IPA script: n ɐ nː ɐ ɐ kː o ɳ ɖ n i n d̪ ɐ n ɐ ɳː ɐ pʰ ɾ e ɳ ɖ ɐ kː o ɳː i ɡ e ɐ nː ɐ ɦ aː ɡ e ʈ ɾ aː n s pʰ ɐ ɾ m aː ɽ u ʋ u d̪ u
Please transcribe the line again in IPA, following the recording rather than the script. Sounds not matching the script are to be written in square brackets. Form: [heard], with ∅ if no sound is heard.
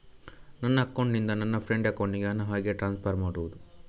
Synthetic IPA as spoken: n ɐ nː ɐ ɐ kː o ɳ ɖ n i n d̪ ɐ n ɐ [nː] ɐ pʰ ɾ e ɳ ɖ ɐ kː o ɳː i ɡ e ɐ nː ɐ ɦ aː ɡ e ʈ ɾ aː n s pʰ ɐ ɾ m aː ɽ u ʋ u d̪ u